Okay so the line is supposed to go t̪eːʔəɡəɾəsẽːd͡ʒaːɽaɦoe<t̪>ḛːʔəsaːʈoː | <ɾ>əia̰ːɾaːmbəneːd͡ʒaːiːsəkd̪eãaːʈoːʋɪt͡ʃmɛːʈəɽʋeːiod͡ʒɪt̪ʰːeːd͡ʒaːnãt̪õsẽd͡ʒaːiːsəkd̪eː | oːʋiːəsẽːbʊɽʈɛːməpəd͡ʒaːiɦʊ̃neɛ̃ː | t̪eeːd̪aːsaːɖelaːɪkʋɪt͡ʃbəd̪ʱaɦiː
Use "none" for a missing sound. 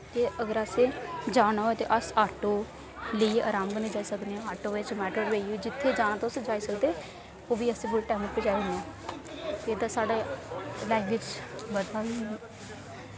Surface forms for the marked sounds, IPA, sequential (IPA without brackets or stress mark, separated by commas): t̪, l